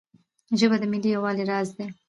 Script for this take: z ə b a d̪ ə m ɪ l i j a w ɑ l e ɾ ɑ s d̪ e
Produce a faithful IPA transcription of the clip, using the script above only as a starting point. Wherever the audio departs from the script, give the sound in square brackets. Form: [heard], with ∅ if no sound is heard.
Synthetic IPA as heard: [ʒ] ə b a d̪ ə m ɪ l i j a w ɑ l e ɾ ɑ [z] d̪ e